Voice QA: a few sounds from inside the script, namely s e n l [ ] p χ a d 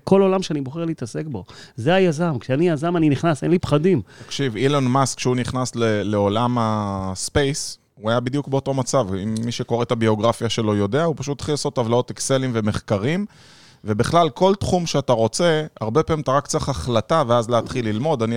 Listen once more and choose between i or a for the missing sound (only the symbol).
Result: i